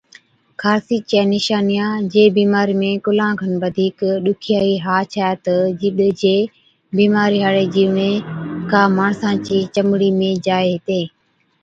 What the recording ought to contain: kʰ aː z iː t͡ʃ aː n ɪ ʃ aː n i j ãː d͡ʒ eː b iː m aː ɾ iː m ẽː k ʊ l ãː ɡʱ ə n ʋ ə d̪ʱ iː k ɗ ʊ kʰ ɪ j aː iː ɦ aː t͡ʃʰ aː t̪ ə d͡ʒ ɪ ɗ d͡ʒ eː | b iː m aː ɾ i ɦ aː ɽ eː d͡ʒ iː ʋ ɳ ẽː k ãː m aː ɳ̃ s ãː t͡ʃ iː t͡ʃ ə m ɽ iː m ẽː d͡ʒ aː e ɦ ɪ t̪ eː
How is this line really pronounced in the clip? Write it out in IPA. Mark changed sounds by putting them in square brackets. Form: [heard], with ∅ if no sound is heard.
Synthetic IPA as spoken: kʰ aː [s] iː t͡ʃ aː n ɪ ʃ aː n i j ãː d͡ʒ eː b iː m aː ɾ iː m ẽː k ʊ l ãː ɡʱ ə n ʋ ə d̪ʱ iː k ɗ ʊ kʰ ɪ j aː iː ɦ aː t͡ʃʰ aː t̪ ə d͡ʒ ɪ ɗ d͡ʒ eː | b iː m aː ɾ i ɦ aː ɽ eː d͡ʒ iː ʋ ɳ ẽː k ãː m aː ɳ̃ s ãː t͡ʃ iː t͡ʃ ə m ɽ iː m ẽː d͡ʒ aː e ɦ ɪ t̪ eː